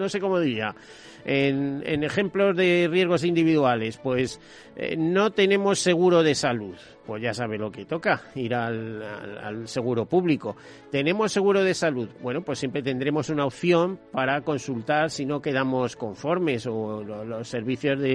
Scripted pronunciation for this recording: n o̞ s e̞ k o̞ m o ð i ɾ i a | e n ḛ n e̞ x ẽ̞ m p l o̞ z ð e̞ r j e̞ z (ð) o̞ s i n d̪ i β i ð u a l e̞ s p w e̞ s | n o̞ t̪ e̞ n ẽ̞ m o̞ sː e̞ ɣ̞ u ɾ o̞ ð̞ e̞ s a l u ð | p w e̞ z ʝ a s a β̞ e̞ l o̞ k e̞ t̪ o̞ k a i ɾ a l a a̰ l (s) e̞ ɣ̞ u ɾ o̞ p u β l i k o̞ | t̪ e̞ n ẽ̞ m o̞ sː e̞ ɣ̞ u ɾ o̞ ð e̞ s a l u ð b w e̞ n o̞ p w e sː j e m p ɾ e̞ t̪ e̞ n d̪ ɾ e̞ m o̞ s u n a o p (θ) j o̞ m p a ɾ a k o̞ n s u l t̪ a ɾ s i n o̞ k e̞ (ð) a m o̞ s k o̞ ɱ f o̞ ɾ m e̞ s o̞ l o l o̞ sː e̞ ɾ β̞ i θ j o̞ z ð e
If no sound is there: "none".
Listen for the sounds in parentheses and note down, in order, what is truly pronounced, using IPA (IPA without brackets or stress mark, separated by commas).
ɣ, s, θ, ð